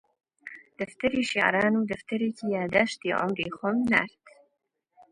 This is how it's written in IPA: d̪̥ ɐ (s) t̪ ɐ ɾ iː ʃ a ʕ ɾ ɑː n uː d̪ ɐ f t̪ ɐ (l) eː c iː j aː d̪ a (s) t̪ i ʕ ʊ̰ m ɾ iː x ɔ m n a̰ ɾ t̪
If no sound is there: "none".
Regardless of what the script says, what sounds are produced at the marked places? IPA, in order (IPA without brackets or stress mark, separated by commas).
f, ɾ, ʃ